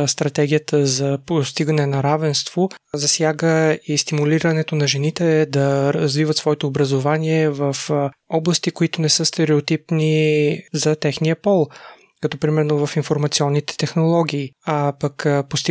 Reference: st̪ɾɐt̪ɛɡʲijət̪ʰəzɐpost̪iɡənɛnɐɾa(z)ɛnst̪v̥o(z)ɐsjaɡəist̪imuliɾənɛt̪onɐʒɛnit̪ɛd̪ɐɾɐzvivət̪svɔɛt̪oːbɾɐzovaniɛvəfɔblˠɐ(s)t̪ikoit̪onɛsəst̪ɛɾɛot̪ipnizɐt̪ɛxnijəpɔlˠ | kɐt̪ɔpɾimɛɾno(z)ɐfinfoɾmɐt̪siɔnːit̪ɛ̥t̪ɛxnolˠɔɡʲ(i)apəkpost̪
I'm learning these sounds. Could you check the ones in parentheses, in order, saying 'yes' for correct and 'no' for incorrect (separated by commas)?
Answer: no, yes, yes, no, no